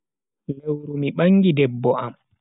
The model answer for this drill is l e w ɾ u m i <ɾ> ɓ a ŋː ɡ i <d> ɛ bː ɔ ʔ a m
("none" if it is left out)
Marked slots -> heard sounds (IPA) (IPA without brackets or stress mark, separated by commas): none, d